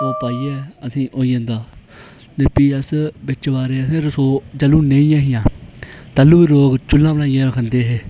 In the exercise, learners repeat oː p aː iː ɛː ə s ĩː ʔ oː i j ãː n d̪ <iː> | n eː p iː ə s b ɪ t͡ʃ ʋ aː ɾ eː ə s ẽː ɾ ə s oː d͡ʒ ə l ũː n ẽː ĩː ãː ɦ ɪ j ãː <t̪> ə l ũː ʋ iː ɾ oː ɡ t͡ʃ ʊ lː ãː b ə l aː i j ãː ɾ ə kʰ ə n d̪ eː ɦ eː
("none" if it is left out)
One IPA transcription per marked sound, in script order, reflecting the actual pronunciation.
aː, t̪

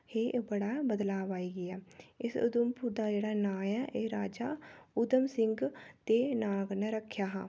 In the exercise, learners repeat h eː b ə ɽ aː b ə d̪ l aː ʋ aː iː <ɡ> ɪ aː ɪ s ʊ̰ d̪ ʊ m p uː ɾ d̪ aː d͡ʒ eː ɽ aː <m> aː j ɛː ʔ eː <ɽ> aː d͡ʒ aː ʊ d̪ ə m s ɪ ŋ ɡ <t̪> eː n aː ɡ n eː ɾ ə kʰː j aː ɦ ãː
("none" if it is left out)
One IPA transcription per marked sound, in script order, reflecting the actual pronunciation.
ɡ, n, ɾ, t̪

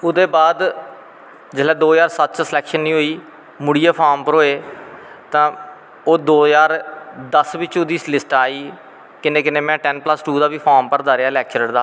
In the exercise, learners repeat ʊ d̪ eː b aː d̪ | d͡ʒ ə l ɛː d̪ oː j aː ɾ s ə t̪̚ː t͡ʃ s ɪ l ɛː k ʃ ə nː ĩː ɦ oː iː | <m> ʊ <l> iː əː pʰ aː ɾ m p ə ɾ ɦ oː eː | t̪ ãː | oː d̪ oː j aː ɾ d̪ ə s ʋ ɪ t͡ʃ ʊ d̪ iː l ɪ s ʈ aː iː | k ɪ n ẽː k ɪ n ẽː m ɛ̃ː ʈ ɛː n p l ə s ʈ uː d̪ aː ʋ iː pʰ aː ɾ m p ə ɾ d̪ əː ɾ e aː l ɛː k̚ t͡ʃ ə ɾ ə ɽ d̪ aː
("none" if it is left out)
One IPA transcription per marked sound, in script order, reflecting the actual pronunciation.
m, ɽ

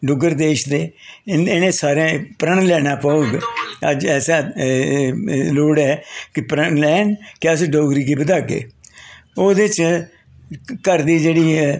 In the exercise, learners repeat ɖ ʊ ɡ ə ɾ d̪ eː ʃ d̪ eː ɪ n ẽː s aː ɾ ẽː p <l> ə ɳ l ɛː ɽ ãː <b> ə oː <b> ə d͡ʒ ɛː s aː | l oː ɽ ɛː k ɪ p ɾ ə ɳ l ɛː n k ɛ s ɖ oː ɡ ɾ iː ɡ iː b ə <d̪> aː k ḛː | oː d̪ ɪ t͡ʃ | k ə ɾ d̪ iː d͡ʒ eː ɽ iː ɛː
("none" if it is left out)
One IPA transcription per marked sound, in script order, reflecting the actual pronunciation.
ɾ, p, ɡ, d̪

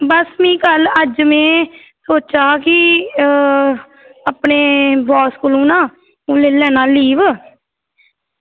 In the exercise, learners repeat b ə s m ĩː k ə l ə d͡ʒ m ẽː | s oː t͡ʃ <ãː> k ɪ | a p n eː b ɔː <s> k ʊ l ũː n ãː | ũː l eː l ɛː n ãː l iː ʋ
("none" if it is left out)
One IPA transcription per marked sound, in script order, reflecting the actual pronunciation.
aː, s

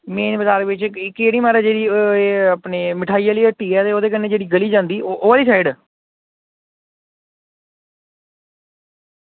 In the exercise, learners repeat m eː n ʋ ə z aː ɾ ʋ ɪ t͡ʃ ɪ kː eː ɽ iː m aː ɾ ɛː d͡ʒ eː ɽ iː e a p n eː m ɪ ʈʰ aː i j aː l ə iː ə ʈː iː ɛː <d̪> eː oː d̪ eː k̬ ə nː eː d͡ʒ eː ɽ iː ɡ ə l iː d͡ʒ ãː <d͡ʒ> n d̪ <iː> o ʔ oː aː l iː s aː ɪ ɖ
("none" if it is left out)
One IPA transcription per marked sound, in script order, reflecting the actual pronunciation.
t̪, none, iː

